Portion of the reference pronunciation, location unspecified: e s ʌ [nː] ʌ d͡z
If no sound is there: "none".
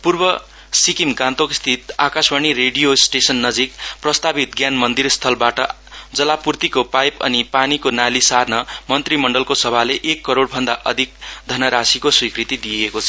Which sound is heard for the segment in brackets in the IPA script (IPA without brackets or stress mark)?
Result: nː